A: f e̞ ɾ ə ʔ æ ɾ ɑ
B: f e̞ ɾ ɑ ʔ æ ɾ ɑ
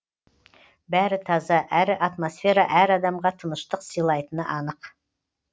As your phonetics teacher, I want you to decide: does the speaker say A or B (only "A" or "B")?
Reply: B